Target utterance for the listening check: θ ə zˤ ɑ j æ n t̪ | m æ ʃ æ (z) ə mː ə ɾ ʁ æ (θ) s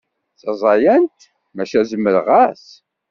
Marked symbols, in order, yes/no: yes, no

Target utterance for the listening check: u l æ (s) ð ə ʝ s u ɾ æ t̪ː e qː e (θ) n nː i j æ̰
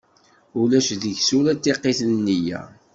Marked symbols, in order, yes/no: no, yes

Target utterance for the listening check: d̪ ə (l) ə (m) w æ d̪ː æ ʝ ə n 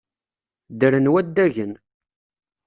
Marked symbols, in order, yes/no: no, no

